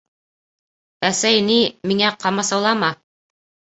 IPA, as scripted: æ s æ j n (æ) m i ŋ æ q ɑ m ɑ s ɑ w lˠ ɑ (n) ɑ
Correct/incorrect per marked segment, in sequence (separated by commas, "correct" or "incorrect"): incorrect, incorrect